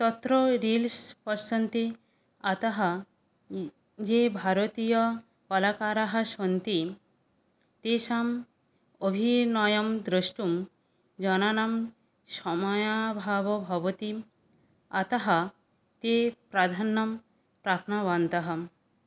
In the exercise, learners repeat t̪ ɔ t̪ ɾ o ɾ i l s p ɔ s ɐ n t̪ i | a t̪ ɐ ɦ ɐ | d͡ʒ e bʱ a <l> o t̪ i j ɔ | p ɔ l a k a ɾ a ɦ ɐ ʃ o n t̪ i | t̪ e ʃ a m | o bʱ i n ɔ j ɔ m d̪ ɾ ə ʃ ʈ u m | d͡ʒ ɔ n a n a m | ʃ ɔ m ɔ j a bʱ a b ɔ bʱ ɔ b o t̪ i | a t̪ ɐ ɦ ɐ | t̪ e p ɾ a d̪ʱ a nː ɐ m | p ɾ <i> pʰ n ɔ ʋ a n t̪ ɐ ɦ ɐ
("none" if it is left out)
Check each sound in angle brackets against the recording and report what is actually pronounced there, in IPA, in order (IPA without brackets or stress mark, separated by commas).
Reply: ɾ, a